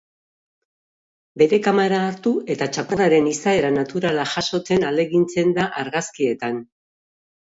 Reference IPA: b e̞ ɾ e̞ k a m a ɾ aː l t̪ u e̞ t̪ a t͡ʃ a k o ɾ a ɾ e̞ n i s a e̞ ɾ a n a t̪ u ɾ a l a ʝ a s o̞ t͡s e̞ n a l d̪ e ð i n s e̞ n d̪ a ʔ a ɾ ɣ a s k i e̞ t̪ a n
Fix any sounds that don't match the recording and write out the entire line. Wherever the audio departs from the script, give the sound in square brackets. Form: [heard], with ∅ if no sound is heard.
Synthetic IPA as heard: b e̞ ɾ e̞ k a m a ɾ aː [ɾ] t̪ u e̞ t̪ a t͡ʃ a k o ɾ a ɾ e̞ n i s a e̞ ɾ a n a t̪ u ɾ a l a ʝ a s o̞ t͡s e̞ n a l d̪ e [ɣ] i n [t͡s] e̞ n d̪ a ʔ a ɾ ɣ a s k i e̞ t̪ a n